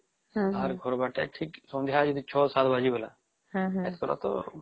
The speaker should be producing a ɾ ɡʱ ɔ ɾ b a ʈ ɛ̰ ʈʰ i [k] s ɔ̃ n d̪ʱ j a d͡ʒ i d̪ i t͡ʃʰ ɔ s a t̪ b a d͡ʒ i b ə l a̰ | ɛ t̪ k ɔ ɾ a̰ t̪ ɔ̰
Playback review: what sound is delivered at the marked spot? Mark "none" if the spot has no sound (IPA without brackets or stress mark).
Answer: k